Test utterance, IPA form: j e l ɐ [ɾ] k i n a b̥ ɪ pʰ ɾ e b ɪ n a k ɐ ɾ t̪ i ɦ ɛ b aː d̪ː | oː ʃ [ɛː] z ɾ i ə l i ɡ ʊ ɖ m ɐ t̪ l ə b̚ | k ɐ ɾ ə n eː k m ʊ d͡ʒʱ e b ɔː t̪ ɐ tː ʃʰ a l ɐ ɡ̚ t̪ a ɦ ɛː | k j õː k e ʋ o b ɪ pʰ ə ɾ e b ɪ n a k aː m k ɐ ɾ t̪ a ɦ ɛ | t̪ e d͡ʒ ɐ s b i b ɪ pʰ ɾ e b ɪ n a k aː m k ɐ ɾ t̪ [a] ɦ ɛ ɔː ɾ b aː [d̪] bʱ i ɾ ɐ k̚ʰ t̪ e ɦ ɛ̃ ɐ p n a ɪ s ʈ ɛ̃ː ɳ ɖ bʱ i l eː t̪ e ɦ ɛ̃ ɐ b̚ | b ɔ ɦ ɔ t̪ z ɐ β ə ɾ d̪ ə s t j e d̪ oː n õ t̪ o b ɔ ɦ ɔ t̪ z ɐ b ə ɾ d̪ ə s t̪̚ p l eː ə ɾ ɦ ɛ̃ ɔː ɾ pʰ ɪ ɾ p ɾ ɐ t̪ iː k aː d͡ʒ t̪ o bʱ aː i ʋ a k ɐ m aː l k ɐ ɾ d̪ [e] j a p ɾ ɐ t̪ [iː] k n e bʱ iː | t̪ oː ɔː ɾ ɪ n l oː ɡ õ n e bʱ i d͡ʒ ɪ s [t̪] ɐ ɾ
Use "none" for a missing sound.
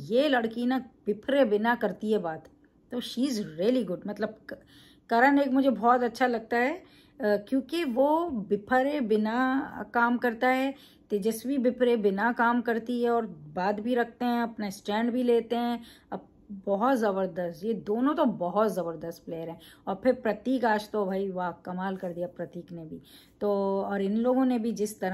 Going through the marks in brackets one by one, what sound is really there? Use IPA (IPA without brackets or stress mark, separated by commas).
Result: ɽ, iː, i, d̪, i, iː, t̪